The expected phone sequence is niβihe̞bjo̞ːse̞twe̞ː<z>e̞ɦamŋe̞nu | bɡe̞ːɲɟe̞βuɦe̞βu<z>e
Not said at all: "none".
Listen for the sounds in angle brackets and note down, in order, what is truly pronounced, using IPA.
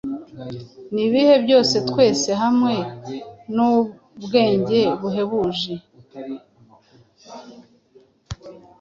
s, ʒ

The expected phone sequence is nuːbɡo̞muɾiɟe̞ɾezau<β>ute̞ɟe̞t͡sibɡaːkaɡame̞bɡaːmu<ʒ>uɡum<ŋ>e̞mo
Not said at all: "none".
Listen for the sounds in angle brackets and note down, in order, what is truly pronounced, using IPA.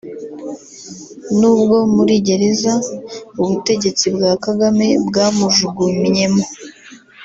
β, ʒ, ɲ

